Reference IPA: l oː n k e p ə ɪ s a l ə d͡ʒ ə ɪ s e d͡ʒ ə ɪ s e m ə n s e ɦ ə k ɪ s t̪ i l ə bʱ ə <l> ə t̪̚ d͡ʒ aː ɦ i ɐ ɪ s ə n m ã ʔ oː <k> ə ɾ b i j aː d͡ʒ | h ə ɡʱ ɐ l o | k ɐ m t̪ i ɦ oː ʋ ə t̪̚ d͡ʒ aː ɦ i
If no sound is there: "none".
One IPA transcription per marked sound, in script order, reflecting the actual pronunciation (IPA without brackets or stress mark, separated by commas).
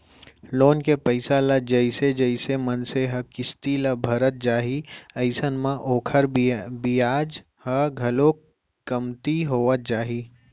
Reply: ɾ, kʰ